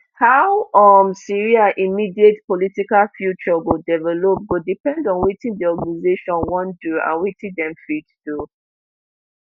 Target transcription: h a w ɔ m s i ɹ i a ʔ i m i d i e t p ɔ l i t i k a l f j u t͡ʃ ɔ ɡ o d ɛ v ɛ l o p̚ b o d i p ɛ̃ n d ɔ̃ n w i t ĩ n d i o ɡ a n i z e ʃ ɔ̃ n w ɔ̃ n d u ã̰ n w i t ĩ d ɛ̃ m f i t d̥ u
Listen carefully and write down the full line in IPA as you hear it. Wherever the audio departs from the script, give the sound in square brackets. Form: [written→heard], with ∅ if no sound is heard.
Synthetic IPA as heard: h a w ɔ m s i ɹ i a ʔ i m i d i e t p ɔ l i t i k a l f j u t͡ʃ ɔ ɡ o d ɛ v ɛ l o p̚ [b→ɡ] o d i p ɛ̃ n d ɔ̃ n w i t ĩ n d i [o→ɔ] ɡ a n i z e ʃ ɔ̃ n w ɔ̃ n d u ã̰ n w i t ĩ d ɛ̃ m f i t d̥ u